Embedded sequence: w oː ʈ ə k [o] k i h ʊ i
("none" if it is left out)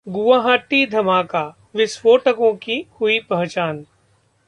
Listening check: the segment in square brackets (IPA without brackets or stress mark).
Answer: õ